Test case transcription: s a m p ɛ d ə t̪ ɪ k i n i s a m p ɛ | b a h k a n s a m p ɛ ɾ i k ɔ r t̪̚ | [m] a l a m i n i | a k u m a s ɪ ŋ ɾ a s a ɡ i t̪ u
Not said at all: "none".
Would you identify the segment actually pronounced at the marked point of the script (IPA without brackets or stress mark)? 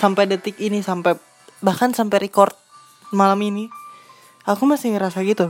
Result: m